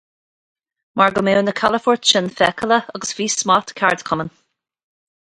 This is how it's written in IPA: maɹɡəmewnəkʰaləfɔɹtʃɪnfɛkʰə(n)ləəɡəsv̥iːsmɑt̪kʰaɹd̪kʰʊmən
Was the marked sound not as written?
yes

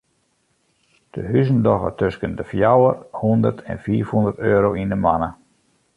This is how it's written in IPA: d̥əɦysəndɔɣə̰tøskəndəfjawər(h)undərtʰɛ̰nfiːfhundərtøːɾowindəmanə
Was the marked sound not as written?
no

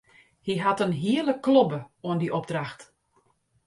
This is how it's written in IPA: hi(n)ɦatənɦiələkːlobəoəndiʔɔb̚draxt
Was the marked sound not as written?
yes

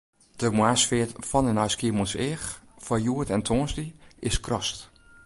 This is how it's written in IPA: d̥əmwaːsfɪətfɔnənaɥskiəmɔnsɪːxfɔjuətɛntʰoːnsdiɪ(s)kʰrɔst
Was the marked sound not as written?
no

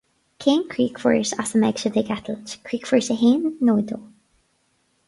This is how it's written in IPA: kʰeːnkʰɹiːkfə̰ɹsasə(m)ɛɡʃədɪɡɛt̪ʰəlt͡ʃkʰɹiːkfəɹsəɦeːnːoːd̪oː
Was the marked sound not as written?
no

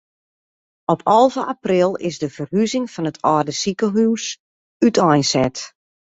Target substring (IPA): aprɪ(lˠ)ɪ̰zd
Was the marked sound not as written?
no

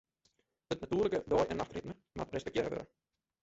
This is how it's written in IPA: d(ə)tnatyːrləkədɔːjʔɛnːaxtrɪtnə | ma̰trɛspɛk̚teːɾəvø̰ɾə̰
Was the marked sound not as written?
no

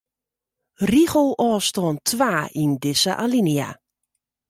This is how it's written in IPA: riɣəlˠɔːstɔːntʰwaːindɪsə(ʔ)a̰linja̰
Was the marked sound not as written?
no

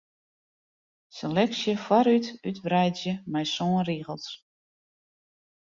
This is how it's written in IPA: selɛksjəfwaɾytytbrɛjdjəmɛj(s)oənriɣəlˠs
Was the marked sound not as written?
no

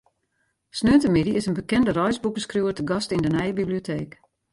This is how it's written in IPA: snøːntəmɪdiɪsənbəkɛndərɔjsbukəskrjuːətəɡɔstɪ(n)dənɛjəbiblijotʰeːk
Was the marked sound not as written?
no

